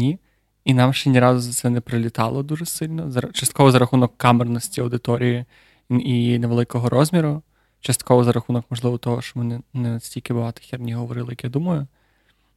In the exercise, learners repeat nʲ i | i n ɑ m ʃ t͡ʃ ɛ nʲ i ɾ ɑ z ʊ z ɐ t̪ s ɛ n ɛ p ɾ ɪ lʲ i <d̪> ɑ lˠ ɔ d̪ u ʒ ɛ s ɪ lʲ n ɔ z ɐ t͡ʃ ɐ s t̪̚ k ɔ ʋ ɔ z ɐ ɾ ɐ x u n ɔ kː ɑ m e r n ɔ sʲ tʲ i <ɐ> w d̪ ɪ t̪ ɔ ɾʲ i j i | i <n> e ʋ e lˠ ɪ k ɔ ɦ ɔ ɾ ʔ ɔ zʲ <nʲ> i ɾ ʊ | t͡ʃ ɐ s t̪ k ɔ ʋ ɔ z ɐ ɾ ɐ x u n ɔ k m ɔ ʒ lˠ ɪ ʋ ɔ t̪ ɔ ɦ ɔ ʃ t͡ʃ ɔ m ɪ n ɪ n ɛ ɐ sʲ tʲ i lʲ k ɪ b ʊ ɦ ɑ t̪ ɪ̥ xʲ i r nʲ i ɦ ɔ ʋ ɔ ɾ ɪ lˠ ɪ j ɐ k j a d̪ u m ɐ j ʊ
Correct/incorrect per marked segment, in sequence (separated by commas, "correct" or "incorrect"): incorrect, correct, correct, incorrect